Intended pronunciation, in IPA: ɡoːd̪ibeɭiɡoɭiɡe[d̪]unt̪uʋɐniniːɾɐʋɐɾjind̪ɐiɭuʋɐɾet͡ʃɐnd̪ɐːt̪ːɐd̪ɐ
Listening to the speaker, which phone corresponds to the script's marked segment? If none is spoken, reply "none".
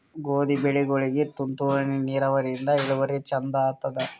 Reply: t̪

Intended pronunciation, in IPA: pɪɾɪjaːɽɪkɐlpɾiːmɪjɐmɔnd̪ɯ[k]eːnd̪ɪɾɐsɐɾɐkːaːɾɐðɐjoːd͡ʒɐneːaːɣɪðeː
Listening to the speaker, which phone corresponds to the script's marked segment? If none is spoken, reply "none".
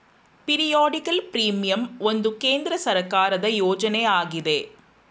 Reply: k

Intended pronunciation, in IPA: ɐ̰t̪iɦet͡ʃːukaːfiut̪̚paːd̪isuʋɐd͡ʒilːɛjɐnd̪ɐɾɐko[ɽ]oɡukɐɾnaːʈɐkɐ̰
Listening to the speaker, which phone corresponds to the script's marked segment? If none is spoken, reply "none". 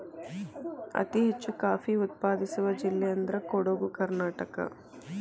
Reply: ɽ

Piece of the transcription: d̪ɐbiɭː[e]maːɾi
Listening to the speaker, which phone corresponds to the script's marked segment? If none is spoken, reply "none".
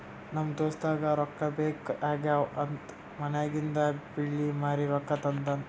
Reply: i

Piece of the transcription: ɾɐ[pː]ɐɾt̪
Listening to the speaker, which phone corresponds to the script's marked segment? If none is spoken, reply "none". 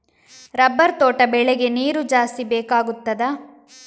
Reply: bː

